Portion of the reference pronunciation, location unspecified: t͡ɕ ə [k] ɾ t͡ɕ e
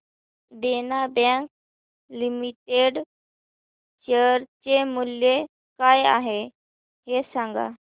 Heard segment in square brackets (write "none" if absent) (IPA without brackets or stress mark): none